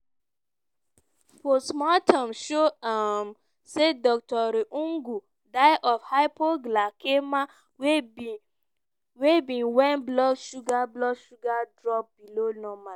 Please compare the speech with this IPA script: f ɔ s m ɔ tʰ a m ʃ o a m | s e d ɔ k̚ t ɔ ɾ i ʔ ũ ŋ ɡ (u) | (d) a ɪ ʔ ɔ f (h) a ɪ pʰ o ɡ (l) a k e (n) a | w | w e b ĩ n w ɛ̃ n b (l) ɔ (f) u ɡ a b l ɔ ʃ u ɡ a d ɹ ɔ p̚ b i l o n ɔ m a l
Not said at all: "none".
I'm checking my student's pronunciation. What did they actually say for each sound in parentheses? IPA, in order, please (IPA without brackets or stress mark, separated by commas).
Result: u, d, h, l, m, l, ʃ